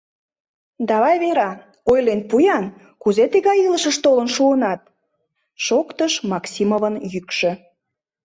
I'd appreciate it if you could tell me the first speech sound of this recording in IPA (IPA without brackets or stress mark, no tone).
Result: d̪